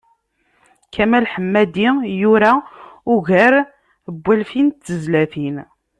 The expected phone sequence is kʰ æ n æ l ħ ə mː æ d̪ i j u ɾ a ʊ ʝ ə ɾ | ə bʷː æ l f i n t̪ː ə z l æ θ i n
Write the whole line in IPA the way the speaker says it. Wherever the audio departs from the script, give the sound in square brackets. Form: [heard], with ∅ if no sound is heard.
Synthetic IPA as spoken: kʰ æ [m] æ l ħ ə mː æ d̪ i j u ɾ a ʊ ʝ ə ɾ | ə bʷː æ l f i n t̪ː ə z l æ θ i n